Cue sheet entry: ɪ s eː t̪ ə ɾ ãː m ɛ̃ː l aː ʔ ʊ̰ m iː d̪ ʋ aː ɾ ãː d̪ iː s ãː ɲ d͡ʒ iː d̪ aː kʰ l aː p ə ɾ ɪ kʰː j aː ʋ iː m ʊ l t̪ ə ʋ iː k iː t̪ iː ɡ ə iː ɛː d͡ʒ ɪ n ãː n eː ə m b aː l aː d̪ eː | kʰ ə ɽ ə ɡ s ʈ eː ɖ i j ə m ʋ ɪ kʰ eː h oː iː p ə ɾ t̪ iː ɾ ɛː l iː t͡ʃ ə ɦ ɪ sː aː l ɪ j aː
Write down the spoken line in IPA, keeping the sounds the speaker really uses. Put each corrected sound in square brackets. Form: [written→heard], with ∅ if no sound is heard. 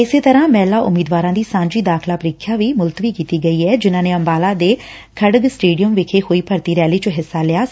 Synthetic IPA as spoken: ɪ s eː t̪ ə ɾ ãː m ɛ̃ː l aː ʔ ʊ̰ m iː d̪ ʋ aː ɾ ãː d̪ iː s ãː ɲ d͡ʒ iː d̪ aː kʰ l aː p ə ɾ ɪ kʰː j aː ʋ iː m ʊ l t̪ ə ʋ iː k iː t̪ iː ɡ ə iː ɛː d͡ʒ ɪ n ãː n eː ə m b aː l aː d̪ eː | kʰ ə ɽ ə ɡ s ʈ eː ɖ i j ə m ʋ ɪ kʰ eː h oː iː p ə ɾ t̪ iː ɾ ɛː l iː t͡ʃ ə ɦ ɪ sː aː l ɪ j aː